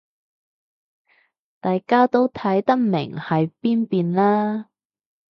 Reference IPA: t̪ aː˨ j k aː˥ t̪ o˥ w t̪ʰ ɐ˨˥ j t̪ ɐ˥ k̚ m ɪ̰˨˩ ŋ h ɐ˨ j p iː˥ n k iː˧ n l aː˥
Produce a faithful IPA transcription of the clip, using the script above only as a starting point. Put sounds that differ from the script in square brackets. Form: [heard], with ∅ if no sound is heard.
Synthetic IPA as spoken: t̪ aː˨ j k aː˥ t̪ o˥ w t̪ʰ ɐ˨˥ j t̪ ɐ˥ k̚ m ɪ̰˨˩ ŋ h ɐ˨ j p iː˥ n [p] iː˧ n l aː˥